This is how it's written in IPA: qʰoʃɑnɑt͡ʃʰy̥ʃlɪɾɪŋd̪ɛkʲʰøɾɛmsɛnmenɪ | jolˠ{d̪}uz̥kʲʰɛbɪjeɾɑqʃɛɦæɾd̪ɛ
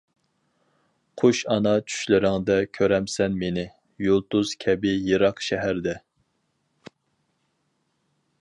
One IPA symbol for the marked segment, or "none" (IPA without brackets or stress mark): t̪